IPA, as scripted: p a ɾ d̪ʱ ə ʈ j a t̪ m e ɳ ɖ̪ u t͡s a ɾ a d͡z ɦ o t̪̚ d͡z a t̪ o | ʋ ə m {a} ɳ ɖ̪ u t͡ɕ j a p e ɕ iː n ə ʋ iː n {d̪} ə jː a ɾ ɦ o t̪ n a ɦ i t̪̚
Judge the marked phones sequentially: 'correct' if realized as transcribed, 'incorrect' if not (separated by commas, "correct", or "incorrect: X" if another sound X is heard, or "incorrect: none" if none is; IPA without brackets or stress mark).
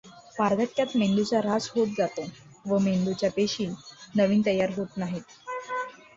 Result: incorrect: e, incorrect: t̪